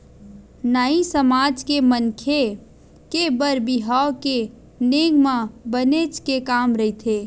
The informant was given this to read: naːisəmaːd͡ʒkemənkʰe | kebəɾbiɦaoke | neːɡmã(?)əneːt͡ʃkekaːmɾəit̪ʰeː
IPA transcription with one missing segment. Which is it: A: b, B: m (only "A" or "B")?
A